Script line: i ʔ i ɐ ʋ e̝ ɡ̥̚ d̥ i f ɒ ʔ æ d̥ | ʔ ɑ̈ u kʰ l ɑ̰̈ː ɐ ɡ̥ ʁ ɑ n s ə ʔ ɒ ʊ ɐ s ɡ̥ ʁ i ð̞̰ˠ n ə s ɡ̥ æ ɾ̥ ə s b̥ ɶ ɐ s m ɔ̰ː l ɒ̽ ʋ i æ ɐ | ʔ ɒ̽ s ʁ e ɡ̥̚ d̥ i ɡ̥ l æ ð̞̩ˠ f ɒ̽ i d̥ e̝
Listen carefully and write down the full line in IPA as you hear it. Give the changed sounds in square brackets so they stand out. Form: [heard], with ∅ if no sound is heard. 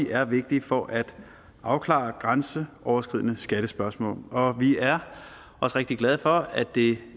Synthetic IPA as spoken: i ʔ [æ] ɐ ʋ e̝ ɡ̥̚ d̥ i f ɒ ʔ æ d̥ | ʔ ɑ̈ [ʊ] kʰ l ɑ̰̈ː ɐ ɡ̥ ʁ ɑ n s ə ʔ ɒ ʊ ɐ s ɡ̥ ʁ i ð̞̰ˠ n ə s ɡ̥ æ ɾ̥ ə s b̥ ɶ ɐ s m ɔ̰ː l ɒ̽ ʋ i æ ɐ | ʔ ɒ̽ s ʁ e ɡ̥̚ d̥ i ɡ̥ l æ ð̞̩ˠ f ɒ̽ [æ] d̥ e̝